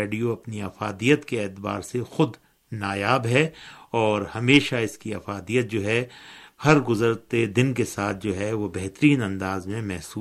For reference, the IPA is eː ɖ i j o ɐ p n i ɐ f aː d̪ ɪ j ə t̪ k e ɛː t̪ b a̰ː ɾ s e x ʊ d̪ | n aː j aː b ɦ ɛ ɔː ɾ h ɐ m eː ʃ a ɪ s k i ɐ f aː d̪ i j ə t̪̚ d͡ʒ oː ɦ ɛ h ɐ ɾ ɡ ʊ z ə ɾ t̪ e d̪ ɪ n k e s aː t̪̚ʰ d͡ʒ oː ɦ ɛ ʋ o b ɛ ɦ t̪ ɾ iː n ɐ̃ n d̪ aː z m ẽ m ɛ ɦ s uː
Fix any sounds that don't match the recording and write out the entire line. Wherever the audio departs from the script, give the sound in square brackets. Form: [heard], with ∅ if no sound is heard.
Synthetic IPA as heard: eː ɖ i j o ɐ p n i ɐ f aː d̪ [i] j ə t̪ k e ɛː t̪ b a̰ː ɾ s e x ʊ d̪ | n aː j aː b ɦ ɛ ɔː ɾ h ɐ m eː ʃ a ɪ s k i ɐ f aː d̪ i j ə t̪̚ d͡ʒ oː ɦ ɛ h ɐ ɾ ɡ ʊ z ə ɾ t̪ e d̪ ɪ n k e s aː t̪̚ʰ d͡ʒ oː ɦ ɛ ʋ o b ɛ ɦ t̪ ɾ iː n ɐ̃ n d̪ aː z m ẽ m ɛ ɦ s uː